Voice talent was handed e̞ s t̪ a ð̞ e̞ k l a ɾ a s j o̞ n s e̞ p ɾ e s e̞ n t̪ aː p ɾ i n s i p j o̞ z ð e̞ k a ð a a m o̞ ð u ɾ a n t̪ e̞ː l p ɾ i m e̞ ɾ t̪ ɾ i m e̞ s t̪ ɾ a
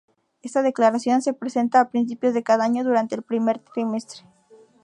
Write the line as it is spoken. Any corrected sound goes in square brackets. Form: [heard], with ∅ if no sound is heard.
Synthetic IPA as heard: e̞ s t̪ a ð̞ e̞ k l a ɾ a s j o̞ n s e̞ p ɾ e s e̞ n t̪ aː p ɾ i n s i p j o̞ z ð e̞ k a ð a a [ɲ] o̞ ð u ɾ a n t̪ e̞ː l p ɾ i m e̞ ɾ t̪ ɾ i m e̞ s t̪ ɾ [e]